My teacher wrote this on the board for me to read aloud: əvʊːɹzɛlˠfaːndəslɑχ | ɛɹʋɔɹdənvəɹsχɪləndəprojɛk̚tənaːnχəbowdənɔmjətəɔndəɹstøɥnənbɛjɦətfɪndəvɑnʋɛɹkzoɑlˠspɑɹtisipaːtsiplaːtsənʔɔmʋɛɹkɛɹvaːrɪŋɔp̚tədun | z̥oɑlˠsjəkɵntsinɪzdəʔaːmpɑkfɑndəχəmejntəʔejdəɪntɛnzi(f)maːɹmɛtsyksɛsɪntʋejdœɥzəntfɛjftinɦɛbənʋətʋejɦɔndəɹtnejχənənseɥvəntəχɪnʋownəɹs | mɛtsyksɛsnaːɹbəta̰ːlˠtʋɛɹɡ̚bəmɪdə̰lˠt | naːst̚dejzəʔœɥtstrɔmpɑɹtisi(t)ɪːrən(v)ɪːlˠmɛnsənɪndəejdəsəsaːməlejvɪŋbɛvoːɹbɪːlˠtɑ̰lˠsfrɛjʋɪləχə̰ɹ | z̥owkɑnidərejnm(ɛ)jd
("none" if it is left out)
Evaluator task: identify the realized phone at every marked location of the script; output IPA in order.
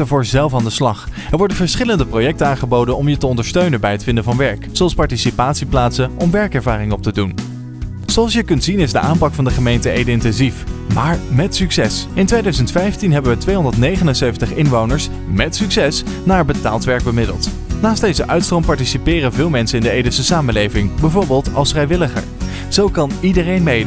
f, p, v, e

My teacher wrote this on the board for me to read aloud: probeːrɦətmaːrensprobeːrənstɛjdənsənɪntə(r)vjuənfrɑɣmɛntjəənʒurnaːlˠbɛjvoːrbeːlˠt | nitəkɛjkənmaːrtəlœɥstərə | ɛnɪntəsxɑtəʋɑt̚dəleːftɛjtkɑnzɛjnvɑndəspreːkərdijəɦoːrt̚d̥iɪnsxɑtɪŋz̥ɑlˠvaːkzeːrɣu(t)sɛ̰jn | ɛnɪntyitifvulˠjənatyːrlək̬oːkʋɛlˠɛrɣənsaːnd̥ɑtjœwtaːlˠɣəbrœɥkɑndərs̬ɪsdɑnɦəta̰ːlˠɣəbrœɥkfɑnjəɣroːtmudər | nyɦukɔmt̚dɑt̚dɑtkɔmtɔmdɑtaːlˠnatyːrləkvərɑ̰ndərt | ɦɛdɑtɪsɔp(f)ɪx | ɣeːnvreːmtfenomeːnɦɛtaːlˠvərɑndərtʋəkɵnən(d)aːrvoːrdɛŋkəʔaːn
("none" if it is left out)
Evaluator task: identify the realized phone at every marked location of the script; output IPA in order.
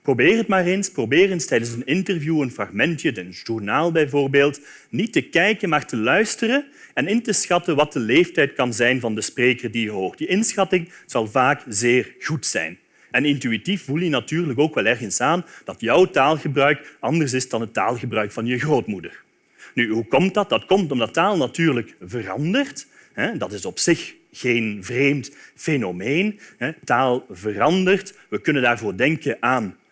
r, t, s, d

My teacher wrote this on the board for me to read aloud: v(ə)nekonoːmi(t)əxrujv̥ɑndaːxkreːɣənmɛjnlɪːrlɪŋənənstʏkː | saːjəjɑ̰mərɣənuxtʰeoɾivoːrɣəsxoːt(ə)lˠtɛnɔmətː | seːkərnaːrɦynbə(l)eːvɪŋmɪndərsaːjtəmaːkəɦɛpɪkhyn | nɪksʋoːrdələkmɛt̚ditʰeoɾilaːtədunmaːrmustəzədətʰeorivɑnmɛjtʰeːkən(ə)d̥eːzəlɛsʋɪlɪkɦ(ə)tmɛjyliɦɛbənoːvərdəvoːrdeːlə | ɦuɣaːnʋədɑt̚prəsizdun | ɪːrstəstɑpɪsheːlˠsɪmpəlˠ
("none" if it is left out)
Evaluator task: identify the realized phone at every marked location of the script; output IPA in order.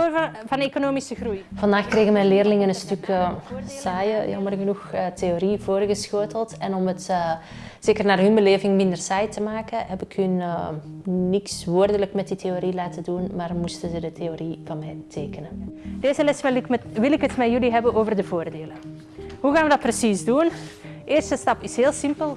ɑ, s, ə, l, ə, ə

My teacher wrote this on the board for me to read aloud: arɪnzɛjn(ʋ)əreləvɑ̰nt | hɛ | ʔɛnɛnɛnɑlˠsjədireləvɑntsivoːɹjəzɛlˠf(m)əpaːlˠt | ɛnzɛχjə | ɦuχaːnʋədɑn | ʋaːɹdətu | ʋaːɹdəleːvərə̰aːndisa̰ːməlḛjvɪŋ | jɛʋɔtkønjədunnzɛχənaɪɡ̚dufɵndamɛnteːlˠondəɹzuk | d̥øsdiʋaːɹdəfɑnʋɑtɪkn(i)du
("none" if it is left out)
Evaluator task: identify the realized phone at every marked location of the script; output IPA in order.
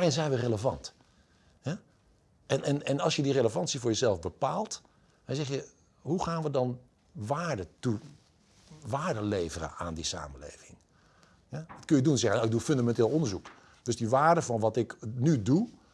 ʋ, b, y

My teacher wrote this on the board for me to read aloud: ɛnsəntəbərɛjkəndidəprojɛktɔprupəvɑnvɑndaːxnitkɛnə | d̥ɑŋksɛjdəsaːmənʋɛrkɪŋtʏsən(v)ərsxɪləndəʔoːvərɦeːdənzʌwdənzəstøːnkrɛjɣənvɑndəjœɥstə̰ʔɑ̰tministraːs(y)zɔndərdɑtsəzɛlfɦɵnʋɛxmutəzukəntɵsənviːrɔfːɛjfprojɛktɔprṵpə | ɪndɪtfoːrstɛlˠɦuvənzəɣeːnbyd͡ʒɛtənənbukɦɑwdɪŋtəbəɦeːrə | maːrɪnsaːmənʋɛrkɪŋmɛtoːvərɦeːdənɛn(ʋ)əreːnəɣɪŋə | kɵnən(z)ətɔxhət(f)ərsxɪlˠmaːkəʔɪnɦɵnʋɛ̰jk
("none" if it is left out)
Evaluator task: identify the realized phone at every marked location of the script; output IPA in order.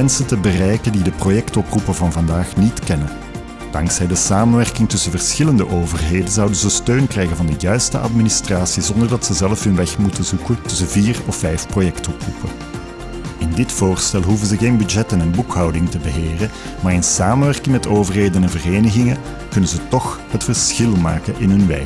v, i, v, z, f

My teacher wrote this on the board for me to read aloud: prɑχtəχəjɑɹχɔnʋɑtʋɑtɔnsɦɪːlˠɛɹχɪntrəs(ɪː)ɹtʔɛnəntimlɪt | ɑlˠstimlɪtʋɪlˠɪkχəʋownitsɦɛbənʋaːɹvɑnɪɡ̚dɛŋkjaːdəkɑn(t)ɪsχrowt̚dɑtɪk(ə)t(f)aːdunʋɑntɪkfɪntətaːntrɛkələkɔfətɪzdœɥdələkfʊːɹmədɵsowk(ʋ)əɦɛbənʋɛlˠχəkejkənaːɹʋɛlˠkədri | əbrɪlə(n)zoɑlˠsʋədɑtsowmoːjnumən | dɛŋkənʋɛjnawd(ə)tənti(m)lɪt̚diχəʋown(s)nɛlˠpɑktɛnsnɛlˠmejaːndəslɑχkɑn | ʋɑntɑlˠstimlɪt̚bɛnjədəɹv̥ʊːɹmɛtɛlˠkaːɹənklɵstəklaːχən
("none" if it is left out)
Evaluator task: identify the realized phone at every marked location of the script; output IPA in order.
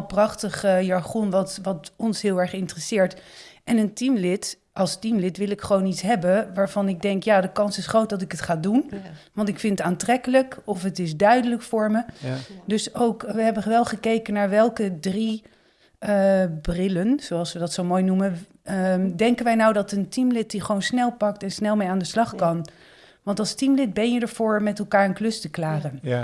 ɪː, s, ə, χ, ʋ, n, ɑ, m, s

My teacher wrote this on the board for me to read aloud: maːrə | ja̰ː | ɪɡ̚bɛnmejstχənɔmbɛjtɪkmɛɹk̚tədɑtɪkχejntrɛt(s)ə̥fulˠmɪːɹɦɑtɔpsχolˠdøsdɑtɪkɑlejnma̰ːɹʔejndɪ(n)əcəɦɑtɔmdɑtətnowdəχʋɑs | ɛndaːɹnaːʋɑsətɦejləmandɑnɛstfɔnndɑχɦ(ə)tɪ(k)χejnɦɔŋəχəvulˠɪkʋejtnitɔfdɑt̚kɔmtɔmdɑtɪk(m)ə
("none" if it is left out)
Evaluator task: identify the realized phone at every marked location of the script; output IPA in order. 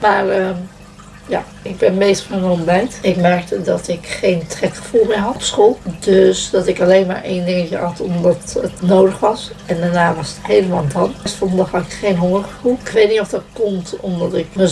χ, ŋ, ɑ, k, m

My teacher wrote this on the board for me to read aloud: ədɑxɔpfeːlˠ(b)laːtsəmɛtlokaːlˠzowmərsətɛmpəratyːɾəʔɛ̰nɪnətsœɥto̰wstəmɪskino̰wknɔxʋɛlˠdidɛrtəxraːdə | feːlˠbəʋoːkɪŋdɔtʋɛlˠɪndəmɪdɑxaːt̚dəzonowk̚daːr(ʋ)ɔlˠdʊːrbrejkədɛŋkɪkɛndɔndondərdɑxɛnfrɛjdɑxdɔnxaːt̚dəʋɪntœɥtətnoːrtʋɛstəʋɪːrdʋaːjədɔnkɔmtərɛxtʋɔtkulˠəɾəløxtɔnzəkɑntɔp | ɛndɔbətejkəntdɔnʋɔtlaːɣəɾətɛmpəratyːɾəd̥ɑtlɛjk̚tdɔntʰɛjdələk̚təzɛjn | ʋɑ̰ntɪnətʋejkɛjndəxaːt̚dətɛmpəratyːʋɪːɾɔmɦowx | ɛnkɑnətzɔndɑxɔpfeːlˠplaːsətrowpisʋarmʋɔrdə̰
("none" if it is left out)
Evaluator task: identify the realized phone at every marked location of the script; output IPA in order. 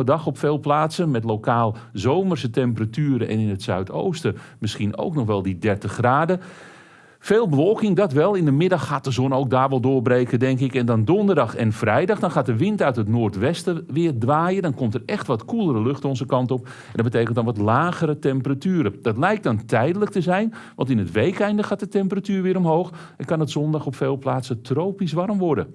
p, ʋ

